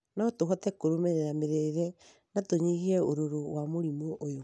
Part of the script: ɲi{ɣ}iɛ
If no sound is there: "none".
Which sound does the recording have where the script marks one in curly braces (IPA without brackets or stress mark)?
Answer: ɣ